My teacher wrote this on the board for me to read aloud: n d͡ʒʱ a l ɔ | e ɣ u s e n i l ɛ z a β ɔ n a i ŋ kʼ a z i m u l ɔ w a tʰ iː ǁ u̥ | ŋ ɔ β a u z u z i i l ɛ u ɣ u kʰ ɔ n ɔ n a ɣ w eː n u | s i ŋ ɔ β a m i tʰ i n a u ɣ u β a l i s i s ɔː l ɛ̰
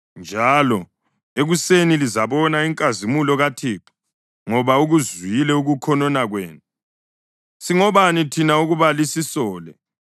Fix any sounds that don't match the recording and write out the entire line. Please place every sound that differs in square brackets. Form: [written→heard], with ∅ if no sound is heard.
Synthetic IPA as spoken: n d͡ʒʱ a l ɔ | e ɣ u s e n i l [ɛ→i] z a β ɔ n a i ŋ kʼ a z i m u l ɔ [w→ɣ] a tʰ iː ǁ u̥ | ŋ ɔ β a u [z→ɣ] u z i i l ɛ u ɣ u kʰ ɔ n ɔ n a ɣ w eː n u | s i ŋ ɔ β a [m→n] i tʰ i n a u ɣ u β a l i s i s ɔː l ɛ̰